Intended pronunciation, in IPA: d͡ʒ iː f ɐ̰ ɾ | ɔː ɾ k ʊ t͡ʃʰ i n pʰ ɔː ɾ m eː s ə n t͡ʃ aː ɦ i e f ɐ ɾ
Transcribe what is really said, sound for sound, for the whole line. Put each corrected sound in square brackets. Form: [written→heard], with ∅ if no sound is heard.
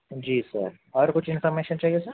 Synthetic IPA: d͡ʒ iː [f→s] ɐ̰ ɾ | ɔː ɾ k ʊ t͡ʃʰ [i→ɪ] n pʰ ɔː ɾ m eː [s→ʃ] ə n t͡ʃ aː ɦ i e [f→s] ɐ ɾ